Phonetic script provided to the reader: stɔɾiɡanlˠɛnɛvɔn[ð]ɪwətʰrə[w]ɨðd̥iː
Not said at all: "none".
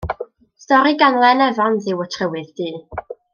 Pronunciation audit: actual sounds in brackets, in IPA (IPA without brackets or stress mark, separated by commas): ð, w